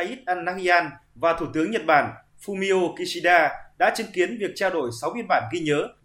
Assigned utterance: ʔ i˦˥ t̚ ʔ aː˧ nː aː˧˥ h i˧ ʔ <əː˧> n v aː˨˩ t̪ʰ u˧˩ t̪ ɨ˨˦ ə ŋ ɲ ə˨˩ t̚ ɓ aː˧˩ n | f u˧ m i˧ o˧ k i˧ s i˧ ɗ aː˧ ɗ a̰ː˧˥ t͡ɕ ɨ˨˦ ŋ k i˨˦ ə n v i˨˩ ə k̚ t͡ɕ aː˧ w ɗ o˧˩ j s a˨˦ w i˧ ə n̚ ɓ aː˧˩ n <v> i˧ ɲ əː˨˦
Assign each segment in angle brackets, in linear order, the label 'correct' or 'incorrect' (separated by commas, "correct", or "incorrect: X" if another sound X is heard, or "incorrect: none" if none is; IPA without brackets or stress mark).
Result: incorrect: aː˧, incorrect: ɣ